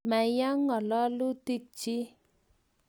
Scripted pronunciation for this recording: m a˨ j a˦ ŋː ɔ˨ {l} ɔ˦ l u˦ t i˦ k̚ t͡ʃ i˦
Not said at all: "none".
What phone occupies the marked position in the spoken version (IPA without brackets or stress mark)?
l